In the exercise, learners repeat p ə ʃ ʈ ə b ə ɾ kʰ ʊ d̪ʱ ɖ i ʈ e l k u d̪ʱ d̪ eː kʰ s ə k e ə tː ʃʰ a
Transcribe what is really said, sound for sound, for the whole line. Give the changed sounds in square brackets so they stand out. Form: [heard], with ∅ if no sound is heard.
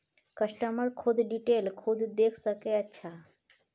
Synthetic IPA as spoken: [k] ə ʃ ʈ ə [m] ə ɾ kʰ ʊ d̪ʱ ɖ i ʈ e l [kʰ] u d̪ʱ d̪ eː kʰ s ə k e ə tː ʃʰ a

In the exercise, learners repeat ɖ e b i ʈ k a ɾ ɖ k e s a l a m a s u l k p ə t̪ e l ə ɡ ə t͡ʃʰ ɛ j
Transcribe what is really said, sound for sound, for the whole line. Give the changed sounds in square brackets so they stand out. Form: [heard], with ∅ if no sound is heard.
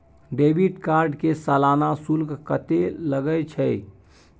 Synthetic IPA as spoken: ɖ e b i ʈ k a ɾ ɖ k e s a l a [n] a s u l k [k] ə t̪ e l ə ɡ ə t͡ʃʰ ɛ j

